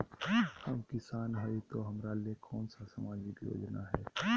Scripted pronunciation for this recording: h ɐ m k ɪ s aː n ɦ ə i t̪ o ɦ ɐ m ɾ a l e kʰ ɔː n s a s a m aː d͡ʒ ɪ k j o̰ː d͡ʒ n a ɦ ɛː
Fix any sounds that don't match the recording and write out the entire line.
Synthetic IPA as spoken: h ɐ m k ɪ s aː n ɦ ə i t̪ o ɦ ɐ m ɾ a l e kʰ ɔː n s a s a m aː d͡ʒ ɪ k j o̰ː d͡ʒ n a ɦ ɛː